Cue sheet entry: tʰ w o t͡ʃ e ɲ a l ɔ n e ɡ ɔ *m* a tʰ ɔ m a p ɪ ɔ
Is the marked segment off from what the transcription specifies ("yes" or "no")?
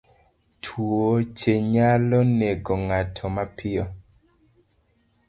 yes